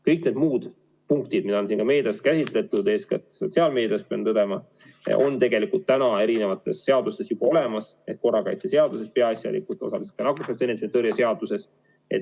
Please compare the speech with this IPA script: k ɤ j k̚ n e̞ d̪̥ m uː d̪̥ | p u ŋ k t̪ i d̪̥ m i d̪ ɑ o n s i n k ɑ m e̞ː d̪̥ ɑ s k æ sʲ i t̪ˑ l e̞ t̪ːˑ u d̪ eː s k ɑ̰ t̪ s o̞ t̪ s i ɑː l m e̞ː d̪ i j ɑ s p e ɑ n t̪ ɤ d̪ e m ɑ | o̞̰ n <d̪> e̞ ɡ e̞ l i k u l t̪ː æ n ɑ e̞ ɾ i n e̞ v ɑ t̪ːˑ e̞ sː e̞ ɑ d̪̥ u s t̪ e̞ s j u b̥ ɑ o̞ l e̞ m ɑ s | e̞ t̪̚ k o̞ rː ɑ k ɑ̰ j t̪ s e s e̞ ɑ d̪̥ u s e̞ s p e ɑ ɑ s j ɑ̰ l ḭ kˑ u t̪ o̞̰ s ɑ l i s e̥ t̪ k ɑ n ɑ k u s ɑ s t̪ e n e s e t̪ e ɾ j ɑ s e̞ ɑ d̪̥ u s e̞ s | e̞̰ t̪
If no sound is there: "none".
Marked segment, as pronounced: t̪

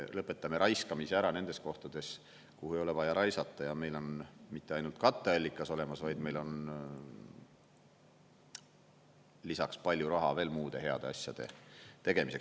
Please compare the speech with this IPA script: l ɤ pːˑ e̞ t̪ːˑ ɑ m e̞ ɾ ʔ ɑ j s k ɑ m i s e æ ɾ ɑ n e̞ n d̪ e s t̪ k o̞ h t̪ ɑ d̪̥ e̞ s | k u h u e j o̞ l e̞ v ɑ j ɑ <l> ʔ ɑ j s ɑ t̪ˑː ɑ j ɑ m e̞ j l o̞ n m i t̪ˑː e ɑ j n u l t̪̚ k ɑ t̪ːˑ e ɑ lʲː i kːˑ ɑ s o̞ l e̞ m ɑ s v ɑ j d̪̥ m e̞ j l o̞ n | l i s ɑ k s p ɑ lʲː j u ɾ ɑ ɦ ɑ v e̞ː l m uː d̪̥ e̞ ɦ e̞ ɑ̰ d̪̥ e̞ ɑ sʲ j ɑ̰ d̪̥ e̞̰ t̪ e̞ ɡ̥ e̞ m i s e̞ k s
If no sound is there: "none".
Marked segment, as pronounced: ɾ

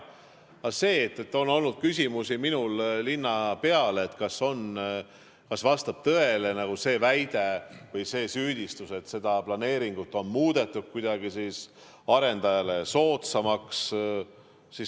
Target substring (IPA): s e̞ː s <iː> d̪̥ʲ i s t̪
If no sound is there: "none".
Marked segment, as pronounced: yː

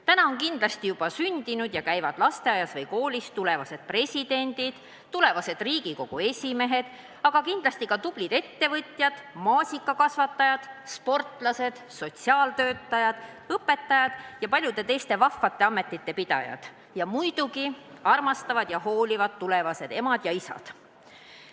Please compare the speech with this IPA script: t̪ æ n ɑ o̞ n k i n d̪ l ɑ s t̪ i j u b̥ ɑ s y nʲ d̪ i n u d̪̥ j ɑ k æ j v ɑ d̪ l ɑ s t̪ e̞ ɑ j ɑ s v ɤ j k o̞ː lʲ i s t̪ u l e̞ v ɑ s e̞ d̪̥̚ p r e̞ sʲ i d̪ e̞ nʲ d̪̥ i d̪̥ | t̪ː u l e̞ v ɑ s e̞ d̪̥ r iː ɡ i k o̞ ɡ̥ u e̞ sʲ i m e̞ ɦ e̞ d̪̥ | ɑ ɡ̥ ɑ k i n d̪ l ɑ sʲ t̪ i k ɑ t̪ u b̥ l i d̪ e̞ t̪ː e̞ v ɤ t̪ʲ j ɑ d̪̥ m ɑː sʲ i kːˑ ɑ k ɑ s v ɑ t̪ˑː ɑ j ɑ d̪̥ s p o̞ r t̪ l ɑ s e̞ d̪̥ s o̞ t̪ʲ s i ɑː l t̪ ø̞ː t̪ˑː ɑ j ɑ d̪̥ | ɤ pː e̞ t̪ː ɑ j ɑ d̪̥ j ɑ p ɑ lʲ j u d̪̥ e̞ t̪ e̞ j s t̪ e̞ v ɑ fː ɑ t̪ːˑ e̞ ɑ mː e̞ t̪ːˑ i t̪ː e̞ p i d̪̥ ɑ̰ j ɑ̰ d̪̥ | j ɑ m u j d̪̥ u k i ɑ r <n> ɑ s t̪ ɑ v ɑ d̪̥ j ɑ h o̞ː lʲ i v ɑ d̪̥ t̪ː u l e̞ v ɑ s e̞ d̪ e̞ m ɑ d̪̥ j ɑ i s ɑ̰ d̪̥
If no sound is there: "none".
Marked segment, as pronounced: m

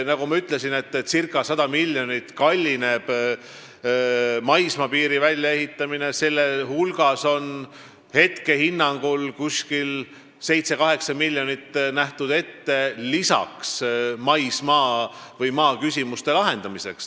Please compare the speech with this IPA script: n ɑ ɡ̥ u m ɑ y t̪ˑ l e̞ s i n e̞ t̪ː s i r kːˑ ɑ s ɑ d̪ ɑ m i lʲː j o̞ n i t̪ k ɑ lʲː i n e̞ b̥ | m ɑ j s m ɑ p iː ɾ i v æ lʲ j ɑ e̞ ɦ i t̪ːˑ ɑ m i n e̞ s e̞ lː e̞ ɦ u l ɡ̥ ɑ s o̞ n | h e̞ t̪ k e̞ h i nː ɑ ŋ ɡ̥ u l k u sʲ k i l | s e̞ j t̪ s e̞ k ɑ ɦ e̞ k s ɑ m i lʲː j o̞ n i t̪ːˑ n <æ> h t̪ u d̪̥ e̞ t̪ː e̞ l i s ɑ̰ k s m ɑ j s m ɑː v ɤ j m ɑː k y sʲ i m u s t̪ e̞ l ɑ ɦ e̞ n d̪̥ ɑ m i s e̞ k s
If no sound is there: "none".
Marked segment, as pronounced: æ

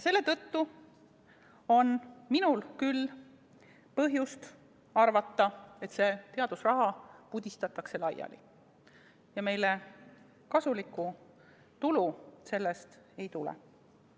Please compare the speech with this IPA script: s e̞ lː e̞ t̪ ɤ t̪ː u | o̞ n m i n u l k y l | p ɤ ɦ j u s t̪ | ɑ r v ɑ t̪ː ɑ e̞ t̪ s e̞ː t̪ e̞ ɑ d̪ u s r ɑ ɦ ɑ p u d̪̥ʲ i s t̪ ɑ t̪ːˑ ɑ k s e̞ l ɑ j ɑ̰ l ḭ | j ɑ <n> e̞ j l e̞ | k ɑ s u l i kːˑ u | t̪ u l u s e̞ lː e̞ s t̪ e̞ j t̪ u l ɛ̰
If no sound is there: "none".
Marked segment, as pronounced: m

